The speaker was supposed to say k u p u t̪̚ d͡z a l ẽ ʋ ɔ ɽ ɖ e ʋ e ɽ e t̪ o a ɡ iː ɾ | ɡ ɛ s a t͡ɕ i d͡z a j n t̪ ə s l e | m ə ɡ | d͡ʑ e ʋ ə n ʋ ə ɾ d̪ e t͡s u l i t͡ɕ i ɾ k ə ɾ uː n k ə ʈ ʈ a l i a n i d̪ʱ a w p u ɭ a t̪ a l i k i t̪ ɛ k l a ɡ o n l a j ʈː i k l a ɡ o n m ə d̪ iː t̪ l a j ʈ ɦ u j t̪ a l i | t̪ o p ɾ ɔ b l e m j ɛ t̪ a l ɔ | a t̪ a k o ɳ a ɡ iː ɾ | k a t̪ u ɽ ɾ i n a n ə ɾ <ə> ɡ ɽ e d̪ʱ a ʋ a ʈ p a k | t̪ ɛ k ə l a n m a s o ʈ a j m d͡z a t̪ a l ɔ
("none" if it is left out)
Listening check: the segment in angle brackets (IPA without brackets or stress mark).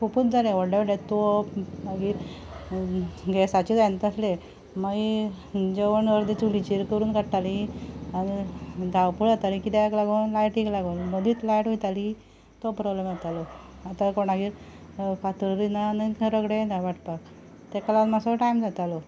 ə